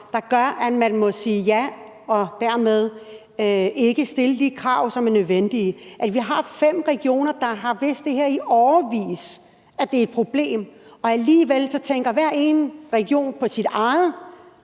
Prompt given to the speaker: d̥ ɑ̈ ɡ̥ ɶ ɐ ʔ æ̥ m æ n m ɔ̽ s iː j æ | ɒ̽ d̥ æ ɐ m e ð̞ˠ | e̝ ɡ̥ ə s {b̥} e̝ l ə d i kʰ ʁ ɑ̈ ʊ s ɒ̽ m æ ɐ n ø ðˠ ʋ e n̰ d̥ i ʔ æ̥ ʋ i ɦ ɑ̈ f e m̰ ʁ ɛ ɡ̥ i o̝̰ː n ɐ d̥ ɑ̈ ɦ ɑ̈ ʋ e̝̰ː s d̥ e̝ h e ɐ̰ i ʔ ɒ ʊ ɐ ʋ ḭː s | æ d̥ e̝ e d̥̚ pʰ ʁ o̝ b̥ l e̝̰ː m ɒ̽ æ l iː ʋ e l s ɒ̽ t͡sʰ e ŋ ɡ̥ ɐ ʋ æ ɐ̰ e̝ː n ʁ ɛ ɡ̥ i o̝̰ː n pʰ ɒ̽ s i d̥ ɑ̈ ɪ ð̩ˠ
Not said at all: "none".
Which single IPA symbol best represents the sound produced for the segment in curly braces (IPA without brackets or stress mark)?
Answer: d̥